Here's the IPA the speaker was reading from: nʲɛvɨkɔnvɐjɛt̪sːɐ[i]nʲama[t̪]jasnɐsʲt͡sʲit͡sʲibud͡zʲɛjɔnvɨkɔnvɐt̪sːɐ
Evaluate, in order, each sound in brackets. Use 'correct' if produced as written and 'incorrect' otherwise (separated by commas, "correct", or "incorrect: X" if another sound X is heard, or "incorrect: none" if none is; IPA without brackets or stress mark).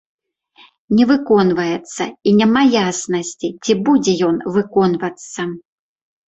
correct, incorrect: none